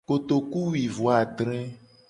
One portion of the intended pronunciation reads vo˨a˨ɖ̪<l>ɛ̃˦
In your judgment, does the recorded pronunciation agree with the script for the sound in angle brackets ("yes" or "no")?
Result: no